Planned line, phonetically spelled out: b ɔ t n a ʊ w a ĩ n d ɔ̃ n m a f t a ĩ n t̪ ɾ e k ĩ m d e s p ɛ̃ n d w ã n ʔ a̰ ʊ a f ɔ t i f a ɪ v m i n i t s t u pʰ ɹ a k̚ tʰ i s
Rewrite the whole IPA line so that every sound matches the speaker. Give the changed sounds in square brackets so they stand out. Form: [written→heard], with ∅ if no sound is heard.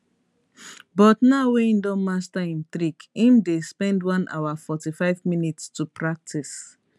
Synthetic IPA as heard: b ɔ t n a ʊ w [a→e] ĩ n d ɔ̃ n m a [f→s] t a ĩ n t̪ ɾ [e→i] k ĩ m d e s p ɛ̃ n d w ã n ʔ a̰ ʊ a f ɔ t i f a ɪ v m i n i t s t u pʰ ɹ a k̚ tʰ i s